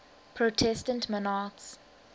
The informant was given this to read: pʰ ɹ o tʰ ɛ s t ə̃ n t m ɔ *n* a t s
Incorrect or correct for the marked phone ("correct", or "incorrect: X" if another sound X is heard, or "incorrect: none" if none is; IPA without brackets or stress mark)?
correct